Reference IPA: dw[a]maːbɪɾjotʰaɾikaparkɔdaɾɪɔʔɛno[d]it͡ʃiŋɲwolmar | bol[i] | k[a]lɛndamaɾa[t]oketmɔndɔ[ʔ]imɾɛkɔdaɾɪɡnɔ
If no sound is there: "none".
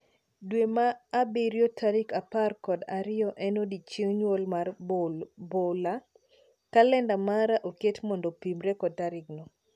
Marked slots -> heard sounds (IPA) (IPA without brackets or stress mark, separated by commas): e, d, a, a, ʔ, p